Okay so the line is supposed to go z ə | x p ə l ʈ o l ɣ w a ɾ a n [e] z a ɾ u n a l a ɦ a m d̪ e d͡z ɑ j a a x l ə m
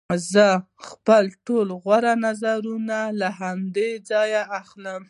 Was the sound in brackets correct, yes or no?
no